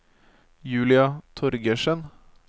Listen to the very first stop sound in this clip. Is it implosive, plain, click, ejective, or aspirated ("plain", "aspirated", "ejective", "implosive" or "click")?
aspirated